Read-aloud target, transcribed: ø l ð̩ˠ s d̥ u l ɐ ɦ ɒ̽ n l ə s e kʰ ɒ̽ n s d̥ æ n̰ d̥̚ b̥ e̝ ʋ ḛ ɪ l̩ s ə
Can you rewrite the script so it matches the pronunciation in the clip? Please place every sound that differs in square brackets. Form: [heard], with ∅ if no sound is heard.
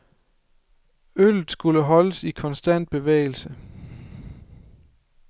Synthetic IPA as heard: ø l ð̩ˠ s [ɡ̥] u l [ə] ɦ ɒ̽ [∅] l ə s [i] kʰ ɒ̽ n s d̥ æ n̰ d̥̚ b̥ e̝ ʋ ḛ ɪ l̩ s ə